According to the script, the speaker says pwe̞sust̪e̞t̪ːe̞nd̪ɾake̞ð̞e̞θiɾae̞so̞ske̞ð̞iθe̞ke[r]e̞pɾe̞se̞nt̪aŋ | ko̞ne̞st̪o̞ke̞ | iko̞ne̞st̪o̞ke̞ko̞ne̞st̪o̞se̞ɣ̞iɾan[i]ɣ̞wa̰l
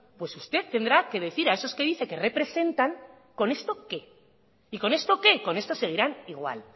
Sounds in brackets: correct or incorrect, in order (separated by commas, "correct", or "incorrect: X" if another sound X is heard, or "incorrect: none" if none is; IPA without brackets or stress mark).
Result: correct, correct